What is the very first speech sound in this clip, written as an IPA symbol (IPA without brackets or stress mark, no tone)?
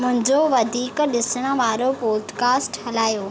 m